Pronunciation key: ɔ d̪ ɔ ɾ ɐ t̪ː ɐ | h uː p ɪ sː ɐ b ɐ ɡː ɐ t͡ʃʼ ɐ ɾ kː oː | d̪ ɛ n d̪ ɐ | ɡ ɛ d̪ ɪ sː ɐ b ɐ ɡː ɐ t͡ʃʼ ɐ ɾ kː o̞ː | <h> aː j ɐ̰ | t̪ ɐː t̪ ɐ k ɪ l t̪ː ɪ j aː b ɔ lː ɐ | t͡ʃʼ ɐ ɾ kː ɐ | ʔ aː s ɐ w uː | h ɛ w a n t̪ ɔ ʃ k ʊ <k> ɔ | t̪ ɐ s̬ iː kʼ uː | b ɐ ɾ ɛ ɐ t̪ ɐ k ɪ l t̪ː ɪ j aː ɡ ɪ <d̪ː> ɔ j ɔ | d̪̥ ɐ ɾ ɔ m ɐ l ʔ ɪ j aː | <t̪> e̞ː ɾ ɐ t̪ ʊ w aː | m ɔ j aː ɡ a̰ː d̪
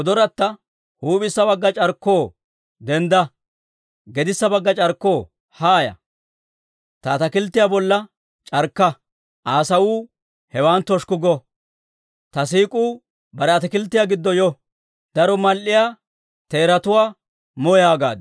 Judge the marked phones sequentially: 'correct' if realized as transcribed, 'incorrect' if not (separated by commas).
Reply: correct, incorrect, correct, correct